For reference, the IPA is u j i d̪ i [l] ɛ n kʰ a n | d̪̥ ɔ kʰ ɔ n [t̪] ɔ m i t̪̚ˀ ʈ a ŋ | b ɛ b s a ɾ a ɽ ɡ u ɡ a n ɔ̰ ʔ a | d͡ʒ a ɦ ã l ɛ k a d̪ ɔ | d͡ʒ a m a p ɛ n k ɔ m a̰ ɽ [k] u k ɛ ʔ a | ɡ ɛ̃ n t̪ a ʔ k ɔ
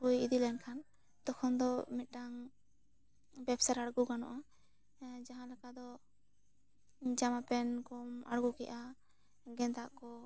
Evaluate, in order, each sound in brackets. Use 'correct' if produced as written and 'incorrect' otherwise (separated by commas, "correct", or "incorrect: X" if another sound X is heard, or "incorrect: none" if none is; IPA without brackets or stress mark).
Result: correct, incorrect: d̪, incorrect: ɡ